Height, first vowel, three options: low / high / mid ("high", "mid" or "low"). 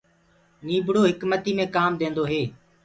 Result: high